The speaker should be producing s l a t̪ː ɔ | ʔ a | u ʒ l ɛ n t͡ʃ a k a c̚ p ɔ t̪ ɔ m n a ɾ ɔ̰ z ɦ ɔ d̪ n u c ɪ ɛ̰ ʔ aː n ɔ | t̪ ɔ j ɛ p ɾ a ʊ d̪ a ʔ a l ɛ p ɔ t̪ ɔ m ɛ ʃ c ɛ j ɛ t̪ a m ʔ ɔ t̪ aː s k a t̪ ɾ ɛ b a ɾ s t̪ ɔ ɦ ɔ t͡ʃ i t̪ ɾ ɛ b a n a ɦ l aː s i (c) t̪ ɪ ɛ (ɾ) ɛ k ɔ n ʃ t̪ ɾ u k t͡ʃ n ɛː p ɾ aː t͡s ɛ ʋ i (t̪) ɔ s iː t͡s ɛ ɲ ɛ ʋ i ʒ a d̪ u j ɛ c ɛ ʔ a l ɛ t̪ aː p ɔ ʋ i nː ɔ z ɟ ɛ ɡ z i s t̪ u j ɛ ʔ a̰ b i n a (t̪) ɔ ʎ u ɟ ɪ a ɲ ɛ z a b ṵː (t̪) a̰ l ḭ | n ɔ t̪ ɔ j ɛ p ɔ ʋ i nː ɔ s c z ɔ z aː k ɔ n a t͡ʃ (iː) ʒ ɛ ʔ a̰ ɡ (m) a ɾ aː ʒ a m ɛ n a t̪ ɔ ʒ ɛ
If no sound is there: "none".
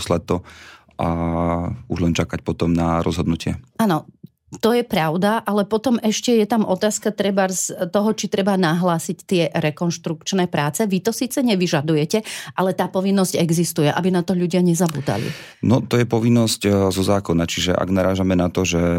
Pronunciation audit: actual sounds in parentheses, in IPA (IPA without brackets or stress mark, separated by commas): c, ɾ, t̪, t̪, d̪, i, n